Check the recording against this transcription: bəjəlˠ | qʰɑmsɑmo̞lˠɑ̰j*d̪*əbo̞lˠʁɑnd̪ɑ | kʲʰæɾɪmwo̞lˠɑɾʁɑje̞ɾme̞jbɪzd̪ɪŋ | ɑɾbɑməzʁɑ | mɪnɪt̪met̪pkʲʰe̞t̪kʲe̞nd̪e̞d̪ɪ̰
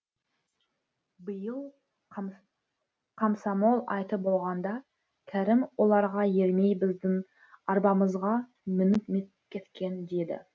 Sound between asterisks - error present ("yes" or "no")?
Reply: yes